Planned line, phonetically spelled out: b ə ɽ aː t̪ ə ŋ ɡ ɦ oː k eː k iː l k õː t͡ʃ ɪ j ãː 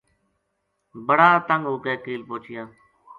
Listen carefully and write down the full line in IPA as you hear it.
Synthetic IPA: b ə ɽ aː t̪ ə ŋ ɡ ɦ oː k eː k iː l p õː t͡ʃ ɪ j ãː